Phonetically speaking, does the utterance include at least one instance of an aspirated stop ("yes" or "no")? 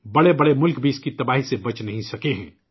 no